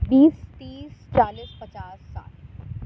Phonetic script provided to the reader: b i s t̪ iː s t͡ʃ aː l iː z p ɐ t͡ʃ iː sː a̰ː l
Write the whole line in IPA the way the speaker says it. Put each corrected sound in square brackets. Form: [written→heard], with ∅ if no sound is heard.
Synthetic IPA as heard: b [i→iː] s t̪ iː s t͡ʃ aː l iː [z→s] p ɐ t͡ʃ [iː→aː] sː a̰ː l